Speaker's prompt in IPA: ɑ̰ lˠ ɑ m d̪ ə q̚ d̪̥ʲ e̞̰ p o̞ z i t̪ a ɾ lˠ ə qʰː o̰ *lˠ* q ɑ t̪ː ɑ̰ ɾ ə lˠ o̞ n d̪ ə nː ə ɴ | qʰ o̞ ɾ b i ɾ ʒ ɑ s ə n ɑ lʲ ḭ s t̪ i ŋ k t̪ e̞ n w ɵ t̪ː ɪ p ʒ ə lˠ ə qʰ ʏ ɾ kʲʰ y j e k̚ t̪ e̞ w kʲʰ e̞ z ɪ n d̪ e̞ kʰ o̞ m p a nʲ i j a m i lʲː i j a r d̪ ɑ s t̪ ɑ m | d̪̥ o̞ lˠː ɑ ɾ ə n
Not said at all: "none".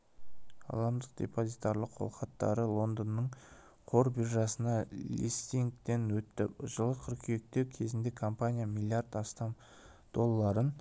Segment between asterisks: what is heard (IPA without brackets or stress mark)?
lˠ